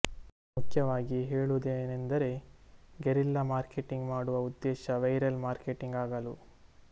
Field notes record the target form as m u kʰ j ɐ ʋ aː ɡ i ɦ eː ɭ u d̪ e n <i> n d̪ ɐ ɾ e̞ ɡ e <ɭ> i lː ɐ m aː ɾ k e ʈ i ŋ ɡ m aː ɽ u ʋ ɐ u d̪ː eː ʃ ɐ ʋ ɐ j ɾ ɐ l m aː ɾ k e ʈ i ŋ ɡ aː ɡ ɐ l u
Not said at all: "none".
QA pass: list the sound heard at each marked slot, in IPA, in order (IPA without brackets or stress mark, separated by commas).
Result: e, ɾ